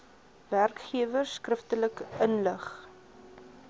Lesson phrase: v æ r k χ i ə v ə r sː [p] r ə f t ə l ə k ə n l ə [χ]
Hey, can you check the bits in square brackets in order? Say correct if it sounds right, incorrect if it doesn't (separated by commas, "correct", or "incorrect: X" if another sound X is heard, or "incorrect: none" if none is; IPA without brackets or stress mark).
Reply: incorrect: k, correct